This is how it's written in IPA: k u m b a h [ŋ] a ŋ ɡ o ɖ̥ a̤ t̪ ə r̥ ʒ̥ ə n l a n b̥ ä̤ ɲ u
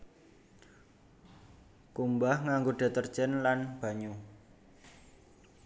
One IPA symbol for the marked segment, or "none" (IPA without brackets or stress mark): ŋ